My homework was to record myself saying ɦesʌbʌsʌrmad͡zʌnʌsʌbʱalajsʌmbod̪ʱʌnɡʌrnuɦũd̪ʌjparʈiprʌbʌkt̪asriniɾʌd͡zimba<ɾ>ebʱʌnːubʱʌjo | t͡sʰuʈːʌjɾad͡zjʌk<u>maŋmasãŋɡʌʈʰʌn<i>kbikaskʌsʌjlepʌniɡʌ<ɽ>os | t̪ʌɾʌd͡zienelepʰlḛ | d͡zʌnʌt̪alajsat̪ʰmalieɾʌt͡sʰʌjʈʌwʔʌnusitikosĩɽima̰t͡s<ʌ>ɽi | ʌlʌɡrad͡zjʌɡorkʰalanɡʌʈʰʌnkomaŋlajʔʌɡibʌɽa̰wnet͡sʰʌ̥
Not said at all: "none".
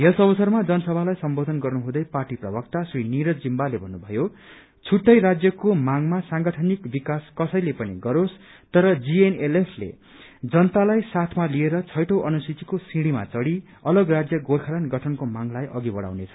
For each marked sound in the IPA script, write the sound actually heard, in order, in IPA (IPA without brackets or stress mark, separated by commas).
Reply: l, o, i, ɾ, ʌ